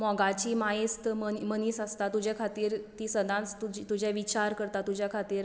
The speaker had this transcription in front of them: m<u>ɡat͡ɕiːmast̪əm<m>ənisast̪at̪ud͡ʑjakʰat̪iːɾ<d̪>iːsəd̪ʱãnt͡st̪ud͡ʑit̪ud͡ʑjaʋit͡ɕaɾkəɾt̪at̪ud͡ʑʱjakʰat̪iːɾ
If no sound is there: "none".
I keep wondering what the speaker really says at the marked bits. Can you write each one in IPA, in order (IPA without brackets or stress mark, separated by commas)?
ɔ, m, t̪